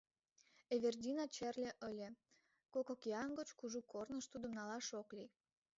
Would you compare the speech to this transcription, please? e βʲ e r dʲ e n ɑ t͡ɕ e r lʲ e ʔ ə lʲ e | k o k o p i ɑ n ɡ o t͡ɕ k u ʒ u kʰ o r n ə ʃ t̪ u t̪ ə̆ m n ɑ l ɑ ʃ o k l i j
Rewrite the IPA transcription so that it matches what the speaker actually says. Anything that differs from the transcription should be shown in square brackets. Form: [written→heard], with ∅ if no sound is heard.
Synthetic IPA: e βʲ e r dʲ [e→i] n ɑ t͡ɕ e r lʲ e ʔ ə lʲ e | k o k o [p→k] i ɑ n ɡ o t͡ɕ k u ʒ u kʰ o r n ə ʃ t̪ u [t̪→d̪] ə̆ m n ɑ l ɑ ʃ o k l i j